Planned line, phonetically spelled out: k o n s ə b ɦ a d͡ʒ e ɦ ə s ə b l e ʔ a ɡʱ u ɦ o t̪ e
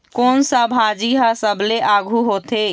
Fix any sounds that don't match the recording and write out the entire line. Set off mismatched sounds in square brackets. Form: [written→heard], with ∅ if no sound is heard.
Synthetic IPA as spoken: k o n s ə b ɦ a d͡ʒ [e→i] ɦ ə s ə b l e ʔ a ɡʱ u ɦ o t̪ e